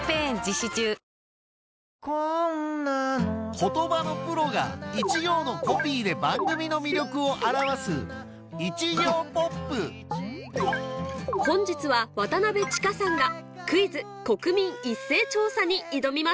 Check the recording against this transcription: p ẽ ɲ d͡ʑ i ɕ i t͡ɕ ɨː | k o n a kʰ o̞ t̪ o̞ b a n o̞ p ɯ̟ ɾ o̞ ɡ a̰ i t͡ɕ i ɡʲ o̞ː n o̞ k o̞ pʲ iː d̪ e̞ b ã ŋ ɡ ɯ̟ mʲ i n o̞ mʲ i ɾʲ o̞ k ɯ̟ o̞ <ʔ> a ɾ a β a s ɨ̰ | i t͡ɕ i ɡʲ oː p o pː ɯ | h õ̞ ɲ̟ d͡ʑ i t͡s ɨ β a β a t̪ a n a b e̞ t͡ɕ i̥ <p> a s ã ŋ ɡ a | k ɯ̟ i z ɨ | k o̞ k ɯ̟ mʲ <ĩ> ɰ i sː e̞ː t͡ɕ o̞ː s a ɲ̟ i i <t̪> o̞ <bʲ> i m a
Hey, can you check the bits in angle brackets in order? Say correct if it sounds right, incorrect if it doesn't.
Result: correct, incorrect, correct, incorrect, incorrect

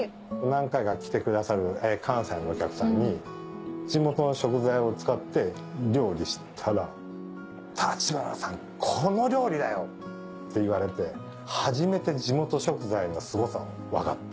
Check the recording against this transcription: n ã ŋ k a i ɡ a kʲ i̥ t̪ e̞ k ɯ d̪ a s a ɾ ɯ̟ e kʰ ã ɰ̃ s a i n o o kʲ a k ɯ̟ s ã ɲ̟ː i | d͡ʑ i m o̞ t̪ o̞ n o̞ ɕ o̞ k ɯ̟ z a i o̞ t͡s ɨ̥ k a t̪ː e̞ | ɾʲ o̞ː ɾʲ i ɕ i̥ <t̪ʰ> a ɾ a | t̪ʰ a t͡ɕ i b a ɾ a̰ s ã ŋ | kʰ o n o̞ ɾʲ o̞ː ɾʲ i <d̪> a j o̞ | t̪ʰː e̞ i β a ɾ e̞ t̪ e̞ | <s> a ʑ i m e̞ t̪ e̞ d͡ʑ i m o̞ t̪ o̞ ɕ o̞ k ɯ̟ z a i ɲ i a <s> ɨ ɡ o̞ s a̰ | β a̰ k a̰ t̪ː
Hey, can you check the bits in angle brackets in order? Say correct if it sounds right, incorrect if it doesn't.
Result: correct, correct, incorrect, correct

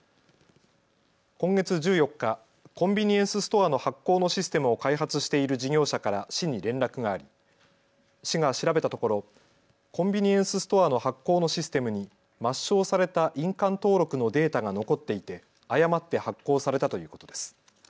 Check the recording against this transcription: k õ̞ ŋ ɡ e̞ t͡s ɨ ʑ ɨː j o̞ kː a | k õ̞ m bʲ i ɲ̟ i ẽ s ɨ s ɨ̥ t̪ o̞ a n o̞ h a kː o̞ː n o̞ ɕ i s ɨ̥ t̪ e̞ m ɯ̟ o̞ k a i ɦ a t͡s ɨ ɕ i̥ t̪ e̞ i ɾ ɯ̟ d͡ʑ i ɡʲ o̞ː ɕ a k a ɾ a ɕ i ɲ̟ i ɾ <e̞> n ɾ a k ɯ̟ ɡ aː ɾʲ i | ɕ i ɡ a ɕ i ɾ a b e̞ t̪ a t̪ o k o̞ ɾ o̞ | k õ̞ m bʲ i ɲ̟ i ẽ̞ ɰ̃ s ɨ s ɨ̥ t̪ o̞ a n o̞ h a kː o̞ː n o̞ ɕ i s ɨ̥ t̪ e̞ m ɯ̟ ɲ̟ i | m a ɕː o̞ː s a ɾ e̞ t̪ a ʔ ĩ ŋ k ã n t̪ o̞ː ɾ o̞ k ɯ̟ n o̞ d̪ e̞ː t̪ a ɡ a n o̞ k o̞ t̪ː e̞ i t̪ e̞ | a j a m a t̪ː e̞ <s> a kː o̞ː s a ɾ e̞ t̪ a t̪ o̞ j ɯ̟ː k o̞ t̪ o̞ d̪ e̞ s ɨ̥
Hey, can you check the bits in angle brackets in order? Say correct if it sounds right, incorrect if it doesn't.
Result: incorrect, incorrect

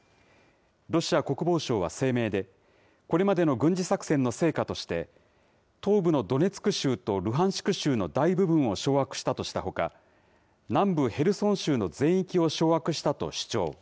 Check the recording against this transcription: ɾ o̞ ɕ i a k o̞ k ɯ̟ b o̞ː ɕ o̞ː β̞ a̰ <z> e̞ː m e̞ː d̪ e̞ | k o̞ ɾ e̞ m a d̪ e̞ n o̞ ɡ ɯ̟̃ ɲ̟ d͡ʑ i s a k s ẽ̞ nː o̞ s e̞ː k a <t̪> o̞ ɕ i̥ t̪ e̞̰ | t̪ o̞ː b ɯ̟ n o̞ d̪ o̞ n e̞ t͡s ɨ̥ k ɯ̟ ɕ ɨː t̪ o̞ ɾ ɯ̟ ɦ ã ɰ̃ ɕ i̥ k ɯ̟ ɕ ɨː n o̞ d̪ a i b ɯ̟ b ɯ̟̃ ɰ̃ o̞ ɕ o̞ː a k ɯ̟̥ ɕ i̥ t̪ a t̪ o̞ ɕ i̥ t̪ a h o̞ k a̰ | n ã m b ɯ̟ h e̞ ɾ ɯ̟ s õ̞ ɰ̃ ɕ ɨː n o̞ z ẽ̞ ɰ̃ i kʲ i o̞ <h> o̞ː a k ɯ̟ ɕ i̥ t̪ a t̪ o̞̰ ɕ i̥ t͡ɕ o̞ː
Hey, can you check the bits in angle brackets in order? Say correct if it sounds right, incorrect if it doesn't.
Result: incorrect, correct, incorrect

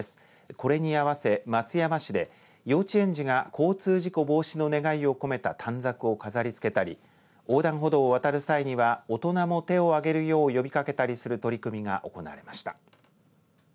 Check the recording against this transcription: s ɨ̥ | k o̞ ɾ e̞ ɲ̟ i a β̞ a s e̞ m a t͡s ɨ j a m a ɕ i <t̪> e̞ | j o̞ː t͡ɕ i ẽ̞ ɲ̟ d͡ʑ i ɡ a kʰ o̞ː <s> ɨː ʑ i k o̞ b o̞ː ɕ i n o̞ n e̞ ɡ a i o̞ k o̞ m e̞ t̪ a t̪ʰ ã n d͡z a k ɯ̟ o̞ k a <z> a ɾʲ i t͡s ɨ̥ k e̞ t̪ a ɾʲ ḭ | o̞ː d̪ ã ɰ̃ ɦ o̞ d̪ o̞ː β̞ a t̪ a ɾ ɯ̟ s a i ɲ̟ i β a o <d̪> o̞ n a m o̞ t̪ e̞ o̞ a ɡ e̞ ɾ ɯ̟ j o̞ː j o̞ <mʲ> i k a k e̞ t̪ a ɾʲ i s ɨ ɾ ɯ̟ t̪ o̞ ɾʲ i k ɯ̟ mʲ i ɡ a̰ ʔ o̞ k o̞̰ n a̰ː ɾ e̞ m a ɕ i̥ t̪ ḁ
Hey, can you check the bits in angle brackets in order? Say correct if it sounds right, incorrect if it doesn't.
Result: incorrect, incorrect, correct, incorrect, incorrect

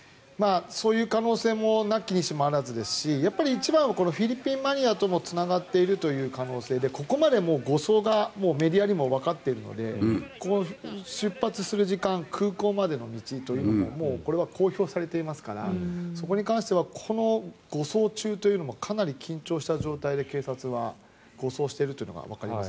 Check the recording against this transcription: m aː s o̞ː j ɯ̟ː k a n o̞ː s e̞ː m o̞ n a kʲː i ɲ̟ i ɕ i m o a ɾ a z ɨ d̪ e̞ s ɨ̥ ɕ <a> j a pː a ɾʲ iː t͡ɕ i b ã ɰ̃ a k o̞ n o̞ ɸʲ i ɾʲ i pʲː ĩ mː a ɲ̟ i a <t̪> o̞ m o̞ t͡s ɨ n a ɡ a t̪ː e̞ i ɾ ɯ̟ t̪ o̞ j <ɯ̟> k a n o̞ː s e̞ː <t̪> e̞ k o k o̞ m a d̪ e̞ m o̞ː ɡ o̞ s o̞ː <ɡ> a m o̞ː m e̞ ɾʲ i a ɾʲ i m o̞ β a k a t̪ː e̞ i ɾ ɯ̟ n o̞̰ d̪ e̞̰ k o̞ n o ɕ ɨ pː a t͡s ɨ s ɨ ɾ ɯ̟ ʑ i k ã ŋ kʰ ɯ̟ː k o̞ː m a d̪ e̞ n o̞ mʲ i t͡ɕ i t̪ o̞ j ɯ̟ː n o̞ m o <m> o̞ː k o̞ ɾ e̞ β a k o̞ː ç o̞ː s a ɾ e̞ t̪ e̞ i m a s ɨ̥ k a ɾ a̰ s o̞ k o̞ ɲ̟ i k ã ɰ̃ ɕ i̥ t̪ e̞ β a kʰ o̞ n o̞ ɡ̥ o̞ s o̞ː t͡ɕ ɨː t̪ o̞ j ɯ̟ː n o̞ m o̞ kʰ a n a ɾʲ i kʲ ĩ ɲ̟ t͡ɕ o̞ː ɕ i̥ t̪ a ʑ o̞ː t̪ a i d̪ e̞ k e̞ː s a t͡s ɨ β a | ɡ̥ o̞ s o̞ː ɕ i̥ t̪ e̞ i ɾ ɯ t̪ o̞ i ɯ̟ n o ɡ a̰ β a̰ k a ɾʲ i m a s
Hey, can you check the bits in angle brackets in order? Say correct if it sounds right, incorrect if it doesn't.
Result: incorrect, correct, incorrect, incorrect, correct, correct

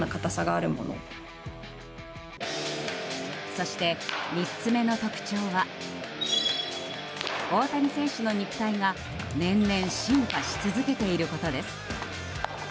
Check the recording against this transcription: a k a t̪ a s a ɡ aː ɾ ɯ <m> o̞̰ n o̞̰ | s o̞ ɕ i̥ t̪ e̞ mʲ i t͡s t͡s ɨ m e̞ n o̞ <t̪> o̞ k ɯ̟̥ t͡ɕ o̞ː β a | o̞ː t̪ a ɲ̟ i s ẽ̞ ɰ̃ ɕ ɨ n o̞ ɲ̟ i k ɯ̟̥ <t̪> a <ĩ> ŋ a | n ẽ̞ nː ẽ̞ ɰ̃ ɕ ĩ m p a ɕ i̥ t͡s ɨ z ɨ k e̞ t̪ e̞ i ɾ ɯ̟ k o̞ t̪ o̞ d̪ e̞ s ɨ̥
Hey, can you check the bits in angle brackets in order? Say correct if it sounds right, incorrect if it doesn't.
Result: correct, correct, correct, incorrect

